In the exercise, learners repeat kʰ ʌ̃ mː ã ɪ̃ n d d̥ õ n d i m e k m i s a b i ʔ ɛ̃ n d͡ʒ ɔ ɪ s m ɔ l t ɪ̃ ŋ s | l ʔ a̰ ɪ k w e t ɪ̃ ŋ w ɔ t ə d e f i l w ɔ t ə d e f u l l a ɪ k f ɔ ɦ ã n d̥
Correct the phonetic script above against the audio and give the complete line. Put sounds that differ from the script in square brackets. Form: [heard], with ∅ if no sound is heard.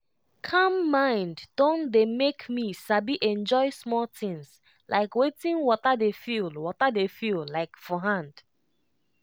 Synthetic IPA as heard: kʰ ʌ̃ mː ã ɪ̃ n d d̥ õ n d [e] m e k m i s a b i ʔ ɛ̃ n d͡ʒ ɔ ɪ s m ɔ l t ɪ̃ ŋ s | l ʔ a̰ ɪ k w e t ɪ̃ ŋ w ɔ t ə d e f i l w ɔ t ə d e f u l l a ɪ k f ɔ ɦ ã n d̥